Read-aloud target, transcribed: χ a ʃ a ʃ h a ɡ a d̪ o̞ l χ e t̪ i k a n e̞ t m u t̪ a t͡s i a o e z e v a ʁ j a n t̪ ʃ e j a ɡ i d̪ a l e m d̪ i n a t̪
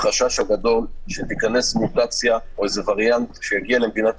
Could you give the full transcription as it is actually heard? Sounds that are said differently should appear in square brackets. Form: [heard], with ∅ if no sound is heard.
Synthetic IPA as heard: χ a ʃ a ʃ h a ɡ a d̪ o̞ l [ʃ] e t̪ i k a n e̞ [s] m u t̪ a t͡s [j] a o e z e v a ʁ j a n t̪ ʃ e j a ɡ i [∅] a l e m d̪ i n a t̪